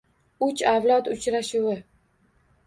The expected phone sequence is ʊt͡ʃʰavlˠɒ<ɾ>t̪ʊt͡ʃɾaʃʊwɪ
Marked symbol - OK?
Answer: no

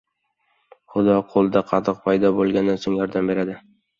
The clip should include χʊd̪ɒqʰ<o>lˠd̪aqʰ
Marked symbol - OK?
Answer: yes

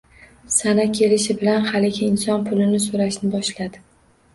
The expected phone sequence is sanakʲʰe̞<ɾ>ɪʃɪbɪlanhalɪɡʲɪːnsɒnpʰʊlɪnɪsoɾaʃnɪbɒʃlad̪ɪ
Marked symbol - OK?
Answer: no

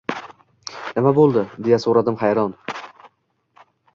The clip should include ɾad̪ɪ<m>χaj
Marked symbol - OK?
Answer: yes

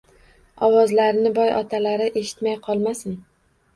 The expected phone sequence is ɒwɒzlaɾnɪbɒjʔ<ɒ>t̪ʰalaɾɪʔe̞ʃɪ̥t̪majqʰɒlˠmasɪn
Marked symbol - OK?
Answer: yes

